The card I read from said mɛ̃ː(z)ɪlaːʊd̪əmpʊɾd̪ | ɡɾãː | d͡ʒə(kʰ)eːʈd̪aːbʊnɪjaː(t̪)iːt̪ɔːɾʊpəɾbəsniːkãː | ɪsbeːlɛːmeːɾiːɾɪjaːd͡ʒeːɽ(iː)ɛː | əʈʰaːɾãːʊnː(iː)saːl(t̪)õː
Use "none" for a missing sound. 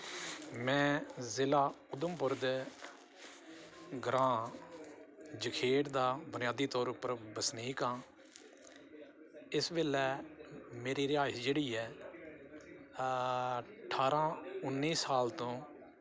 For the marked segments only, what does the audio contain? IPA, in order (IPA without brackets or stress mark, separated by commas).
z, kʰ, d̪, iː, iː, t̪